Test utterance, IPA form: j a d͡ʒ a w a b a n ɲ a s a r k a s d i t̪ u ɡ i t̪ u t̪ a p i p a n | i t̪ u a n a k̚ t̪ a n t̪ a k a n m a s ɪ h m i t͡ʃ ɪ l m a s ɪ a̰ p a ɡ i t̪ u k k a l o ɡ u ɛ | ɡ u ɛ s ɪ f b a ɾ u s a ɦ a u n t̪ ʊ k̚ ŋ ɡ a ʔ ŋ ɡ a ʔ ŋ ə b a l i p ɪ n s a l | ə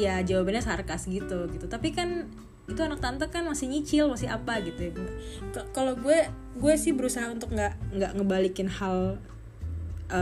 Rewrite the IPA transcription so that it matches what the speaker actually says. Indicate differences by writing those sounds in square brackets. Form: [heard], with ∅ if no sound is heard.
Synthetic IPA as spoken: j a d͡ʒ a w a b a n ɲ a s a r k a s [ɡ] i t̪ u ɡ i t̪ u t̪ a p i [k] a n | i t̪ u a n a k̚ t̪ a n t̪ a k a n m a s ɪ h [ɲ] i t͡ʃ ɪ l m a s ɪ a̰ p a ɡ i t̪ u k k a l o ɡ u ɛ | ɡ u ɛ s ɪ [h] b [ə] ɾ u s a ɦ a u n t̪ ʊ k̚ ŋ ɡ a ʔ ŋ ɡ a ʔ ŋ ə b a l i [k] ɪ n [h] a l | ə